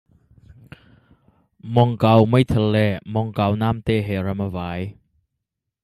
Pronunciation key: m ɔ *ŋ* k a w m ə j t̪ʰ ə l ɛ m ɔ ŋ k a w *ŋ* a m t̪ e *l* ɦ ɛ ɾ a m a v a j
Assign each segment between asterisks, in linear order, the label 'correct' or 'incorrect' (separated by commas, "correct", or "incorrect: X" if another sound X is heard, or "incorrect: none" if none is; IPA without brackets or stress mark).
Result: correct, incorrect: n, incorrect: none